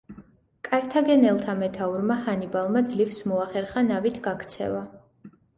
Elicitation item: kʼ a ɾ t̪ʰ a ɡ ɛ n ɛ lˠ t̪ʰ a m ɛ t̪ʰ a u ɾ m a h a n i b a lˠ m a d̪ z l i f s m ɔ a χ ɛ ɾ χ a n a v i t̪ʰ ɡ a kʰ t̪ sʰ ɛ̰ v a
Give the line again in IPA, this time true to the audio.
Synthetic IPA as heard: kʼ a ɾ t̪ʰ a ɡ ɛ n ɛ lˠ t̪ʰ a m ɛ t̪ʰ a u ɾ m a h a n i b a lˠ m a d̪ z l i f s m ɔ a χ ɛ ɾ χ a n a v i t̪ʰ ɡ a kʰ t̪ sʰ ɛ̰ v a